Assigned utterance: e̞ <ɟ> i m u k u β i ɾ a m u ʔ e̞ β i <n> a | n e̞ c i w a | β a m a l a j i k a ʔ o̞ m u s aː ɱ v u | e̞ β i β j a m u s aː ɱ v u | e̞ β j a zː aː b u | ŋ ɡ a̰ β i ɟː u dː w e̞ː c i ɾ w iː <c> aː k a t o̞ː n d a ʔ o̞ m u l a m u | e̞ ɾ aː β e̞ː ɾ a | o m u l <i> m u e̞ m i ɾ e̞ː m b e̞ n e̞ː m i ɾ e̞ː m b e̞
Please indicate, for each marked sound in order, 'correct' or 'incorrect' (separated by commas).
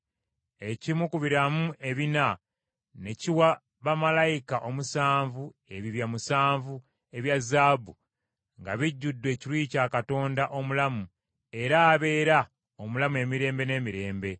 incorrect, correct, correct, incorrect